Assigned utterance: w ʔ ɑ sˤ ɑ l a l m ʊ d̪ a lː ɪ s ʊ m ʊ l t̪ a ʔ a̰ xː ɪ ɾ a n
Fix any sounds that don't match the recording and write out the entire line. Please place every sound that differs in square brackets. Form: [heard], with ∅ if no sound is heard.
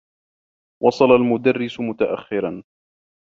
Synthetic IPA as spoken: w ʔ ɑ sˤ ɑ l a l m ʊ d̪ a [rː] ɪ s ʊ m ʊ [∅] t̪ a ʔ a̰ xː ɪ ɾ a n